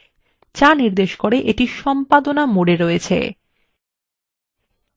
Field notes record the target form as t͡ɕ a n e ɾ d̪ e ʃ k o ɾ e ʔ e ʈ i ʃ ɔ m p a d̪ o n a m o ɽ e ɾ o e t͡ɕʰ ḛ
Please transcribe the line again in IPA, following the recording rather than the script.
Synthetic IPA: t͡ɕ a n i ɾ d̪ e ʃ k o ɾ e ʔ e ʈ i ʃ ɔ m p a d̪ o n a m o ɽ e ɾ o e t͡ɕʰ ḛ